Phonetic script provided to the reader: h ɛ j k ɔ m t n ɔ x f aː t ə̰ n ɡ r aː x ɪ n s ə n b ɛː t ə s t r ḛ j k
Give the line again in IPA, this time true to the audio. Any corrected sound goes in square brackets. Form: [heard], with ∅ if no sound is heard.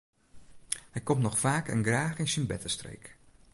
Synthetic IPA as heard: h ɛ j k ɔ m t n ɔ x f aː [k] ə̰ n ɡ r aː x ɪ n s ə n b [ɛ] t ə s t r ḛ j k